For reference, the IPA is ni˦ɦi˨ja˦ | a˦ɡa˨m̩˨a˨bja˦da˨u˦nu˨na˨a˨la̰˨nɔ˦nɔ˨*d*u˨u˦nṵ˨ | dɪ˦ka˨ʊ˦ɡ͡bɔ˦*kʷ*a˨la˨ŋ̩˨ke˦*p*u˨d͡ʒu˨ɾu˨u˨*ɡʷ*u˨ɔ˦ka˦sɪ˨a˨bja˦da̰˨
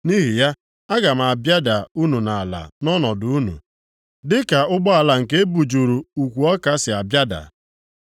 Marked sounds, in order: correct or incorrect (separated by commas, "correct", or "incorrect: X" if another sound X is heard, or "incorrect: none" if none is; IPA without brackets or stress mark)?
correct, incorrect: none, incorrect: b, incorrect: kʷ